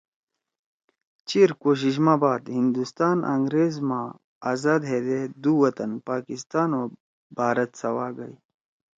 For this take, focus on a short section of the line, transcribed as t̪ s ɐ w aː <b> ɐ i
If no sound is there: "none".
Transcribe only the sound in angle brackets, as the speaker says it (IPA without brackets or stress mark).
ɡ